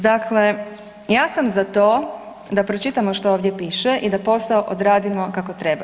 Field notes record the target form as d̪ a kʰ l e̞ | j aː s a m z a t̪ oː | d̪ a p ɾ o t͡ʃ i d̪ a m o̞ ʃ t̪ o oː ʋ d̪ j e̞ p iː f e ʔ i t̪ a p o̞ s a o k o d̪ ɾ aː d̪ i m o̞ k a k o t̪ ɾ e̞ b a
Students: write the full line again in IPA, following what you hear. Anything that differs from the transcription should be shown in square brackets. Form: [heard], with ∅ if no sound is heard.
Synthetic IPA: d̪ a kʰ l e̞ | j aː s a m z a t̪ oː | d̪ a p ɾ o t͡ʃ i [t̪] a m o̞ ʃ t̪ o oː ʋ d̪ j e̞ p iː [ʃ] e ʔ i [d̪] a p o̞ s a o [ʔ] o d̪ ɾ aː d̪ i m o̞ k a k o t̪ ɾ e̞ b a